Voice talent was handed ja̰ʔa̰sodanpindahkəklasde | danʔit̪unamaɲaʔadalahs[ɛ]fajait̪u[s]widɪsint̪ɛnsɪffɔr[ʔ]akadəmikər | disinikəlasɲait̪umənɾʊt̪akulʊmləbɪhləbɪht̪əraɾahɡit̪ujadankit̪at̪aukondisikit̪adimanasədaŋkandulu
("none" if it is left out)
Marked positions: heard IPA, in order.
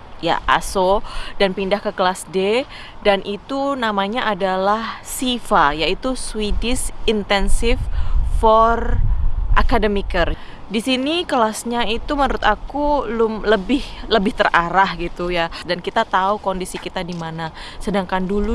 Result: i, s, ʔ

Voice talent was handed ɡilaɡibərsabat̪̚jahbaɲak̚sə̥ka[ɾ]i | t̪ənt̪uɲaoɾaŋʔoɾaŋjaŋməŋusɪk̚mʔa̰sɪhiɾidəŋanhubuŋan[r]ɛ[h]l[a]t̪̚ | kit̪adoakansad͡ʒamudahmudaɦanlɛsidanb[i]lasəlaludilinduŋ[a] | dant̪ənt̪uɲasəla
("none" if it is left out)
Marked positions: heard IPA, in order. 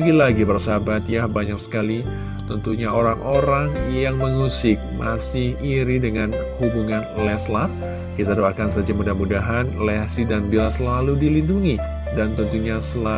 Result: l, l, s, a, i, i

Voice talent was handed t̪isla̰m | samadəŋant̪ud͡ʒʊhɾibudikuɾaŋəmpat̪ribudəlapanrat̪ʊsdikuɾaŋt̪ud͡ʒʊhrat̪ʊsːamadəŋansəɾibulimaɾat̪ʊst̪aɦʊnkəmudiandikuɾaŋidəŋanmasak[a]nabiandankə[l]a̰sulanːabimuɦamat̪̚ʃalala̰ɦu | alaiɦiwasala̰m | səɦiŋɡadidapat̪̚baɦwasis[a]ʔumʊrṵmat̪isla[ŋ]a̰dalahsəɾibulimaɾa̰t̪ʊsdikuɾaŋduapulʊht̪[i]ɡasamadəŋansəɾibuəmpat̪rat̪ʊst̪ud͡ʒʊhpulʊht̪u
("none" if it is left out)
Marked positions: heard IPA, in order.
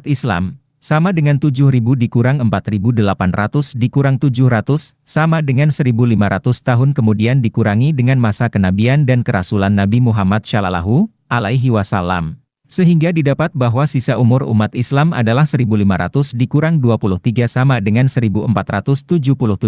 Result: ə, ɾ, a, m, i

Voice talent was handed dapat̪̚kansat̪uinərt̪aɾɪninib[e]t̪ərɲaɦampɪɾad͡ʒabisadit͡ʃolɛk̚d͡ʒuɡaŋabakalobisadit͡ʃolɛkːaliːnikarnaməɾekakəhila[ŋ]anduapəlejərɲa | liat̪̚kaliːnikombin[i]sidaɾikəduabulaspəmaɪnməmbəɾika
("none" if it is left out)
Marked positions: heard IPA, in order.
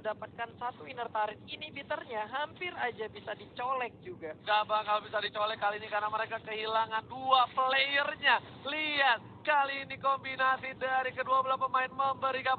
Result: i, ŋ, a

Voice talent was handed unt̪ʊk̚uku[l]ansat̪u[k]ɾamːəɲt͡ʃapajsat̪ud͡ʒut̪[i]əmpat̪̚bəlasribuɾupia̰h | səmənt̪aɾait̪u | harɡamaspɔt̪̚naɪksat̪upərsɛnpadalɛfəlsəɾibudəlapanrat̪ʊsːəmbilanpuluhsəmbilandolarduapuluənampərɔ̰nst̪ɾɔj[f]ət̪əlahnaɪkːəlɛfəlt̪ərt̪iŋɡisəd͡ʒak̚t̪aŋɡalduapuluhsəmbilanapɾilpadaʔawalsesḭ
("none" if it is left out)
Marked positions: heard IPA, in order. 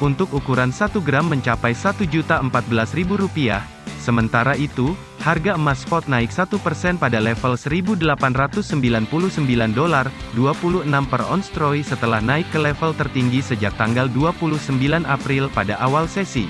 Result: ɾ, ɡ, a, s

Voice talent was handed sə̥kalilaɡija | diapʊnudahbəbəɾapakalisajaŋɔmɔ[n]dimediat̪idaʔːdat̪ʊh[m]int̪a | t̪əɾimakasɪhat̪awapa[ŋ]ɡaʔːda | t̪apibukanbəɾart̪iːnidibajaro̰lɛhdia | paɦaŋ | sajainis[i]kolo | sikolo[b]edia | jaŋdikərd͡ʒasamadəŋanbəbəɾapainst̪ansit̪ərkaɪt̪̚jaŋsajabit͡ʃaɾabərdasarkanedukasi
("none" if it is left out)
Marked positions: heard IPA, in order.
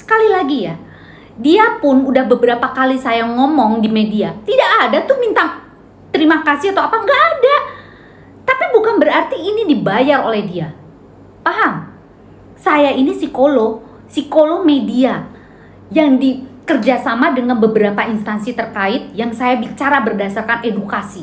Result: ŋ, m, ŋ, i, m

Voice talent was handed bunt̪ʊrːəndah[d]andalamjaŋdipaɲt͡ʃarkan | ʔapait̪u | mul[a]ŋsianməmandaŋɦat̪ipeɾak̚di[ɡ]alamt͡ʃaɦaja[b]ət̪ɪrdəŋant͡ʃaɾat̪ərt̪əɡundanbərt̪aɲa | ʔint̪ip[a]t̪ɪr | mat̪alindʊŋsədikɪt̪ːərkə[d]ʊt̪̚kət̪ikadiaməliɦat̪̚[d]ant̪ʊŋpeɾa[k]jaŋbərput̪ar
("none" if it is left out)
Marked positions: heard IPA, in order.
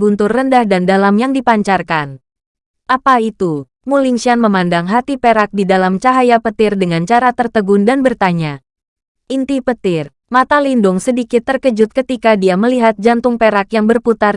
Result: d, i, d, p, ə, d͡ʒ, d͡ʒ, k

